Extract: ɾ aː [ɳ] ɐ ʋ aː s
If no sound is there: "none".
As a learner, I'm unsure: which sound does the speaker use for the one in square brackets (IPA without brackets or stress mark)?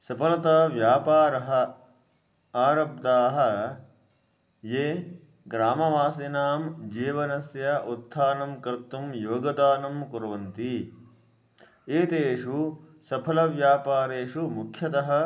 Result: m